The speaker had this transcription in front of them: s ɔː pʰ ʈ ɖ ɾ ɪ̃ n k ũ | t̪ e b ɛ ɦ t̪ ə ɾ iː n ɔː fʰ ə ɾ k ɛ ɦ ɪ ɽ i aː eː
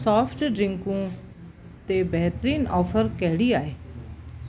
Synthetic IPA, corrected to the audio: s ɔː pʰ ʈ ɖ ɾ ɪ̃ ŋ k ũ | t̪ e b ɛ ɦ t̪ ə ɾ iː n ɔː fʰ ə ɾ k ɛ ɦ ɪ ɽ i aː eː